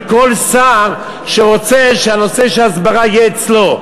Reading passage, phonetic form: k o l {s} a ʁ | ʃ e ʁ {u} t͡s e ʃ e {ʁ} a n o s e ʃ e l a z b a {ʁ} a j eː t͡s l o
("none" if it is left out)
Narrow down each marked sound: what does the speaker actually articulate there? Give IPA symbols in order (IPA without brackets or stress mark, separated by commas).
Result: s, o, none, ʁ